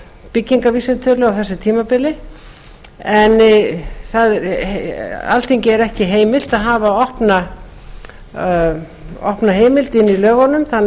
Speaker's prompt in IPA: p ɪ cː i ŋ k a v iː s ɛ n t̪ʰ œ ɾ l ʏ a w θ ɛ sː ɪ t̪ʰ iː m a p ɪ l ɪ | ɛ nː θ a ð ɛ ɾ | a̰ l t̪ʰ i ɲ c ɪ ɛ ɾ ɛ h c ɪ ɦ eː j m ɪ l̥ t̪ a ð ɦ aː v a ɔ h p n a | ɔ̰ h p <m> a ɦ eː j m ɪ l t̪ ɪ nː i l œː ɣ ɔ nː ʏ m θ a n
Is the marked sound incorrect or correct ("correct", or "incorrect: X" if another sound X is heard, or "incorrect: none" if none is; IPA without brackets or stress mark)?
incorrect: n